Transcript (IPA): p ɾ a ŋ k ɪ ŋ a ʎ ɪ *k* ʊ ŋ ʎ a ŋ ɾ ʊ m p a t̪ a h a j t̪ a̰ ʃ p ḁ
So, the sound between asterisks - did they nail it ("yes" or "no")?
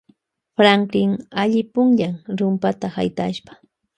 no